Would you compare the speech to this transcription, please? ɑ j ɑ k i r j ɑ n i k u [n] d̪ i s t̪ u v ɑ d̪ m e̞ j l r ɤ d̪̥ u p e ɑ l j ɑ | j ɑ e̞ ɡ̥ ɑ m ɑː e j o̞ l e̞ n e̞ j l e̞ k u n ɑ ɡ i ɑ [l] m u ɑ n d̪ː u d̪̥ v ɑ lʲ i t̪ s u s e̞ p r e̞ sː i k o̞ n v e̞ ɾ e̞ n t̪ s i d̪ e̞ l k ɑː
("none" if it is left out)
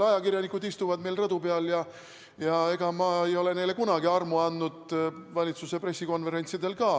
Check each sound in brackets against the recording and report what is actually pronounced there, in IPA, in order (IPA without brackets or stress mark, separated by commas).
none, r